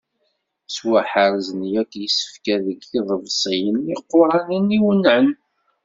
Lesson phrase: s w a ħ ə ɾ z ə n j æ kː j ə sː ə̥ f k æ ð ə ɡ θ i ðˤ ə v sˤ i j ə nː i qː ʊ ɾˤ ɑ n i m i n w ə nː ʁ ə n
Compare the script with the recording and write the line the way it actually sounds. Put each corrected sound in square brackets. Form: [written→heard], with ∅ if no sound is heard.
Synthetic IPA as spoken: s w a ħ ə ɾ z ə n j æ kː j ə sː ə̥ f k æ ð ə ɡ θ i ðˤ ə v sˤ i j ə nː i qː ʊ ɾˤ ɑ n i [m→n] i [n→∅] w ə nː [ʁ→ʕ] ə n